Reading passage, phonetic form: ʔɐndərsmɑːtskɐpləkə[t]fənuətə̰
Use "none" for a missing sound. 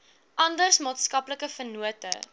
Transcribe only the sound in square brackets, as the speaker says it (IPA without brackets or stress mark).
none